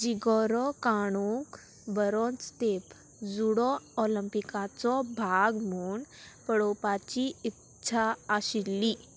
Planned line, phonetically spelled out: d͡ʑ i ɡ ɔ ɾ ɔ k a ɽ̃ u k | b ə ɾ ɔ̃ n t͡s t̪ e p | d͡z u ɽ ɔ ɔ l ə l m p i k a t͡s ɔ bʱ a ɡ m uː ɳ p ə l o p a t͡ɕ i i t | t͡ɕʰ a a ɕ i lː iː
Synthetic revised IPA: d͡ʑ i ɡ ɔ ɾ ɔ k a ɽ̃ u k | b ə ɾ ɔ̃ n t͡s t̪ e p | d͡z u ɽ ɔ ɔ l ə m p i k a t͡s ɔ bʱ a ɡ m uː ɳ p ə ɽ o p a t͡ɕ i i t | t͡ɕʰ a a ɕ i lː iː

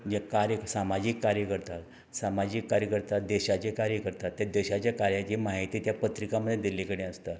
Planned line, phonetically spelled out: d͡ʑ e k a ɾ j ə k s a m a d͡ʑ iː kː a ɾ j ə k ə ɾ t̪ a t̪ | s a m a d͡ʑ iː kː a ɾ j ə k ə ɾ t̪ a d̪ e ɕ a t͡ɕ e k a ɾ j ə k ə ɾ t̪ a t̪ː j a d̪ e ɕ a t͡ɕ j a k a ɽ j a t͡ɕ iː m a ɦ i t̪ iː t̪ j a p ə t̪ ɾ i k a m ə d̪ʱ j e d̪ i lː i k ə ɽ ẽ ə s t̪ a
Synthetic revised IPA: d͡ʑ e k a ɾ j ə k s a m a d͡ʑ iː kː a ɾ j ə k ə ɾ t̪ a t̪ | s a m a d͡ʑ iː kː a ɾ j ə k ə ɾ t̪ a d̪ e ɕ a t͡ɕ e k a ɾ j ə k ə ɾ t̪ a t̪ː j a d̪ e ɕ a t͡ɕ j a k a ɾ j a t͡ɕ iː m a ɦ i t̪ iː t̪ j a p ə t̪ ɾ i k a m ə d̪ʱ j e d̪ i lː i k ə ɽ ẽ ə s t̪ a

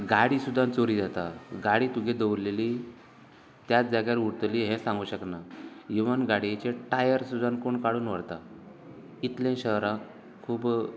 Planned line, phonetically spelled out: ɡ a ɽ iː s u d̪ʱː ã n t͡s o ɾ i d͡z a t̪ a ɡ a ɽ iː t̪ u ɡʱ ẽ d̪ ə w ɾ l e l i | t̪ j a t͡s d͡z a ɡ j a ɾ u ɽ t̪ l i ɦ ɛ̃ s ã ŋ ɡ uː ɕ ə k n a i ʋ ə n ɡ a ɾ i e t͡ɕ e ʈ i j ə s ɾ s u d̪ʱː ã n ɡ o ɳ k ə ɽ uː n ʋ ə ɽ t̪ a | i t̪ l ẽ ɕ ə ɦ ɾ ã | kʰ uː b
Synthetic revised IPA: ɡ a ɽ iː s u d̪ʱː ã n t͡s o ɾ i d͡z a t̪ a ɡ a ɽ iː t̪ u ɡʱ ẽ d̪ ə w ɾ l e l i | t̪ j a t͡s d͡z a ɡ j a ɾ u ɽ t̪ l i ɦ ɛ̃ s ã ŋ ɡ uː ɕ ə k n a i ʋ ə n ɡ a ɽ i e t͡ɕ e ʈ a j ə ɾ s u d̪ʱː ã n k o ɳ k a ɽ uː n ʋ ə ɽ t̪ a | i t̪ l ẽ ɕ ə ɦ ɾ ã | kʰ uː b

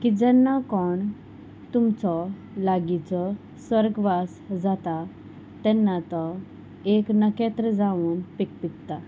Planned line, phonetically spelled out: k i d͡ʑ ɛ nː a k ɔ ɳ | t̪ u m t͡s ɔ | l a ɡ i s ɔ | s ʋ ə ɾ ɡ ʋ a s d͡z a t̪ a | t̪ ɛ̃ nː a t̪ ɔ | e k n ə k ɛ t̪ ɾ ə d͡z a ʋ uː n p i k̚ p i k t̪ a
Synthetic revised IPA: k i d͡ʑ ɛ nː a k ɔ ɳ | t̪ u m t͡s ɔ | l a ɡ i t͡s ɔ | s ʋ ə ɾ ɡ ʋ a s d͡z a t̪ a | t̪ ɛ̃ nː a t̪ ɔ | e k n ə k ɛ t̪ ɾ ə d͡z a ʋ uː n p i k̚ p i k t̪ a

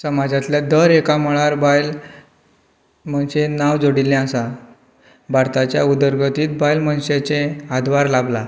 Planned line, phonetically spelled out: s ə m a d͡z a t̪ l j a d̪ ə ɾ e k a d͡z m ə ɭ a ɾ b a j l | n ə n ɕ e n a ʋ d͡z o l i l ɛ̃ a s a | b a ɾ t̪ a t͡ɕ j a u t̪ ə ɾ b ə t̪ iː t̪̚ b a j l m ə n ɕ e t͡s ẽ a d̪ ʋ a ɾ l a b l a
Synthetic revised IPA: s ə m a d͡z a t̪ l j a d̪ ə ɾ e k a m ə ɭ a ɾ b a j l | m ə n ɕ e n a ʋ d͡z o ɽ i l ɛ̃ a s a | b a ɾ t̪ a t͡ɕ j a u d̪ ə ɾ ɡ ə t̪ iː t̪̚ b a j l m ə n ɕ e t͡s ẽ a d̪ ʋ a ɾ l a b l a

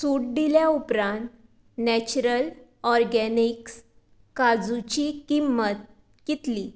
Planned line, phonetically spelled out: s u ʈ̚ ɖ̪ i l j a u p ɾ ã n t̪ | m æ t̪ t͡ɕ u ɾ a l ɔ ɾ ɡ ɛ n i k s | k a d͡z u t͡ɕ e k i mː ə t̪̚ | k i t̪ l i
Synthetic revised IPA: s u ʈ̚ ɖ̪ i l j a u p ɾ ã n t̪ | n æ t͡ɕ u ɾ ə l ɔ ɾ ɡ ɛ n i k s | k a d͡z u t͡ɕ i k i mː ə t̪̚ | k i t̪ l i

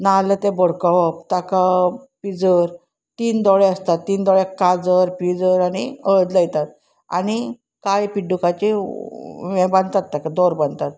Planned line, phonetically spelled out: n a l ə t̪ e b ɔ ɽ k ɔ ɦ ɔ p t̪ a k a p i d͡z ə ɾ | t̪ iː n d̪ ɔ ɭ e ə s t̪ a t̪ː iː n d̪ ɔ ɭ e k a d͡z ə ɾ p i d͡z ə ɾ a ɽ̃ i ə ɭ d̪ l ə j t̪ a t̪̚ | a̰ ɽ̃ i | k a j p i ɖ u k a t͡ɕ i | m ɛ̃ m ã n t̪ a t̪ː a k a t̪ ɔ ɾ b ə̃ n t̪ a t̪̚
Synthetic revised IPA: n a l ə t̪ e b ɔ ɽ k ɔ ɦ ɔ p t̪ a k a p i d͡z ə ɾ | t̪ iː n d̪ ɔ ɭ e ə s t̪ a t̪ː iː n d̪ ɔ ɭ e k a d͡z ə ɾ p i d͡z ə ɾ a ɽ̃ i ə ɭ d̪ l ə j t̪ a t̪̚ | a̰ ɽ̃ i | k a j p i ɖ u k a t͡ɕ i | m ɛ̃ b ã n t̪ a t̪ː a k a d̪ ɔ ɾ b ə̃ n t̪ a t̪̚

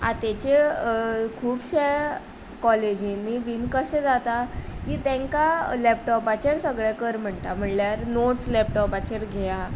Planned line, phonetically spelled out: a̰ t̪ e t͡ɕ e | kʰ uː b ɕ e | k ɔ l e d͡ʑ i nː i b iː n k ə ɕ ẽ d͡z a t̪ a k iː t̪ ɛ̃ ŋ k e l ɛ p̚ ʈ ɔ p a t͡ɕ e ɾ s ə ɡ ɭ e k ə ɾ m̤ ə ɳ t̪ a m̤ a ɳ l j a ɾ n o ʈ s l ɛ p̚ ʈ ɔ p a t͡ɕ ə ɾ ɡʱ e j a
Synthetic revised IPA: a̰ t̪ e t͡ɕ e | kʰ uː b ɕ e | k ɔ l e d͡ʑ i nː i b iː n k ə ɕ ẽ d͡z a t̪ a k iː t̪ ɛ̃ ŋ k a l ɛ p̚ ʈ ɔ p a t͡ɕ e ɾ s ə ɡ ɭ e k ə ɾ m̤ ə ɳ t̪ a m̤ ə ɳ l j a ɾ n o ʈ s l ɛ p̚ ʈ ɔ p a t͡ɕ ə ɾ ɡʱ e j a

